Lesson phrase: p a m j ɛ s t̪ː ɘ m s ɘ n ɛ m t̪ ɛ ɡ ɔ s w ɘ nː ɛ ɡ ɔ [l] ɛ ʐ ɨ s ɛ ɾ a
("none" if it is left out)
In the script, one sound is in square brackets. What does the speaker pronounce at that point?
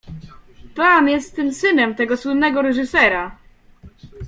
ɾ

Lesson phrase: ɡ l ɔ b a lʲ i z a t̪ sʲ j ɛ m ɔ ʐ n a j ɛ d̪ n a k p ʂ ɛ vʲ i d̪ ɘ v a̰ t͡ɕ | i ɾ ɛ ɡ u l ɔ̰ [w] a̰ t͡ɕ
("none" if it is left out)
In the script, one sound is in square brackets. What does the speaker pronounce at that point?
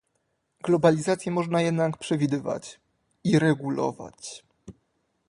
v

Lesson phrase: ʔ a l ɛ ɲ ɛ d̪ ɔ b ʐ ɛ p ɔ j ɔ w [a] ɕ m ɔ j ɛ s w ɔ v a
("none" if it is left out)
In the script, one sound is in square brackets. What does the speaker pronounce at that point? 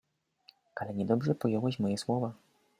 ɛ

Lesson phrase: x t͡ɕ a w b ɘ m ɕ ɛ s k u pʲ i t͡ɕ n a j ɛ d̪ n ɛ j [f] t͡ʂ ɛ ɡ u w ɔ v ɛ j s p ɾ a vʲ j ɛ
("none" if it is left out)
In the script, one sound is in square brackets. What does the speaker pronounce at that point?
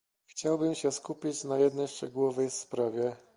ʂ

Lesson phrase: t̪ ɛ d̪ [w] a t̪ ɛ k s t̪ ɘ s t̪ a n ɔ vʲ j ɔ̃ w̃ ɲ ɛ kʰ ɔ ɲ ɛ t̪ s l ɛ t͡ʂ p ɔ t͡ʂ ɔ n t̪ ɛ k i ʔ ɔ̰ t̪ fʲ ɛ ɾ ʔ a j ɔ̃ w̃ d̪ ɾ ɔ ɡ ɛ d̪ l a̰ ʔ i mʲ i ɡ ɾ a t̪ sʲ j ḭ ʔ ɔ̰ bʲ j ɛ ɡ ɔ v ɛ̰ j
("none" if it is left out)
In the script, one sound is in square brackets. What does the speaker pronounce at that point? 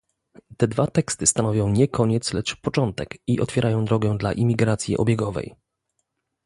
v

